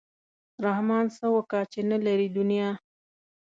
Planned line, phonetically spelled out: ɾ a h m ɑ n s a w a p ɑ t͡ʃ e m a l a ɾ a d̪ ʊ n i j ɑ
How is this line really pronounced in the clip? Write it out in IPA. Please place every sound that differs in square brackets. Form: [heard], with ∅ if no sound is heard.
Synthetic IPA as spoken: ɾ a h m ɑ n s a w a [k] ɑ t͡ʃ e [n] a l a ɾ [i] d̪ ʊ n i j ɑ